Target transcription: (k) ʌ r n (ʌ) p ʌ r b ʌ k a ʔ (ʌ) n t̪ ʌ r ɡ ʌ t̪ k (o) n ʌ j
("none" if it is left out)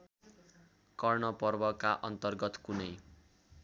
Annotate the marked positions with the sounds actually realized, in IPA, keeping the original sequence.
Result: k, ʌ, ʌ, u

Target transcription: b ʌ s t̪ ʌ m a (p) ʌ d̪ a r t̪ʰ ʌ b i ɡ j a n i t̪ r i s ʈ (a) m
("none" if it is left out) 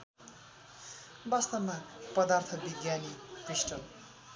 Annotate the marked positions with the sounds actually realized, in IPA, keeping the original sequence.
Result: p, ʌ

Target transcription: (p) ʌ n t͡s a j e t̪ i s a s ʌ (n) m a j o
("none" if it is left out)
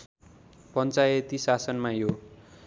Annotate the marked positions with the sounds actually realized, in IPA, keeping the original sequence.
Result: p, n

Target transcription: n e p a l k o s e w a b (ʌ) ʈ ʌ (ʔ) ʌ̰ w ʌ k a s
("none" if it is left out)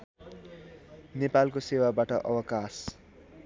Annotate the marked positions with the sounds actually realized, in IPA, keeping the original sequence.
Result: a, ʔ

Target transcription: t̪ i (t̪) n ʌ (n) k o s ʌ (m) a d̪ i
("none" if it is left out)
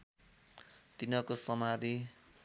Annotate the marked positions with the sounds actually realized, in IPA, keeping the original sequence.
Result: none, none, m

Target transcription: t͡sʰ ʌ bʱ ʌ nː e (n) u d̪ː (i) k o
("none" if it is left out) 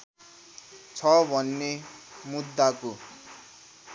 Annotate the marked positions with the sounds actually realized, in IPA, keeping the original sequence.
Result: m, a

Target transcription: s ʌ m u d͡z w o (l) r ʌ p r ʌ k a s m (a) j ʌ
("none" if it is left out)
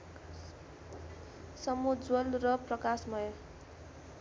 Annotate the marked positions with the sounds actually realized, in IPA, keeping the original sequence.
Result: l, ʌ

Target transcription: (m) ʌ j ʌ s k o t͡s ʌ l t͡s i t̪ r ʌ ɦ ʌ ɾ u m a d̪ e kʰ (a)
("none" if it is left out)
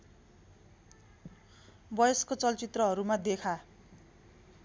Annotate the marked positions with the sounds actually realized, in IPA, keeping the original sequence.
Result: b, a

